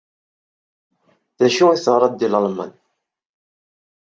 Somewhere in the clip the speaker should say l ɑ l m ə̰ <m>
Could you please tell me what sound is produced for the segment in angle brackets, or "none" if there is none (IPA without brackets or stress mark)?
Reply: n